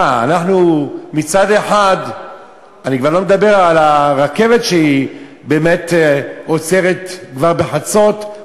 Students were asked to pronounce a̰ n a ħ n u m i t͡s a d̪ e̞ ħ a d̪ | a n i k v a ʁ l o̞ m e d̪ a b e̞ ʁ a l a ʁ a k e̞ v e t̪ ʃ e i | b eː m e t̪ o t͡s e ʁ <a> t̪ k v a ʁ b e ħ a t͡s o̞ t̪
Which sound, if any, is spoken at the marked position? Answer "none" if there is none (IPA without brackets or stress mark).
e